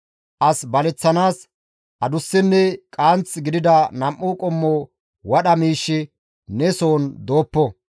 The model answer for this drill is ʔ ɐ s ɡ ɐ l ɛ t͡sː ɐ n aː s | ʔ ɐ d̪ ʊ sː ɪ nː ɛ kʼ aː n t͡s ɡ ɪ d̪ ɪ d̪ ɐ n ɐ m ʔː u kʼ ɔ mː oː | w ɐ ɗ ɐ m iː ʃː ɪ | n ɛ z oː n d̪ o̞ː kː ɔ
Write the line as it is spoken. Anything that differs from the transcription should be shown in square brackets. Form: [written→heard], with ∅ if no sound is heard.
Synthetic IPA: ʔ ɐ s [ɡ→b] ɐ l ɛ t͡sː ɐ n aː s | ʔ ɐ d̪ ʊ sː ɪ nː ɛ kʼ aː n t͡s ɡ ɪ d̪ ɪ d̪ ɐ n ɐ m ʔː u kʼ ɔ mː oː | w ɐ ɗ ɐ m iː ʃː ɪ | n ɛ [z→s] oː n d̪ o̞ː [kː→pː] ɔ